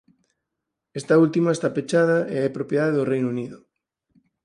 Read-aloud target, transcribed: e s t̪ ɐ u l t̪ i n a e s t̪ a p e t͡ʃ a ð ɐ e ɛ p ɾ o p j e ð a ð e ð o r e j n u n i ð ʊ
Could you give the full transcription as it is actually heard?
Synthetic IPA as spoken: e s t̪ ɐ u l t̪ i m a e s t̪ a p e t͡ʃ a ð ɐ e ɛ p ɾ o p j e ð a ð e ð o r e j n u n i ð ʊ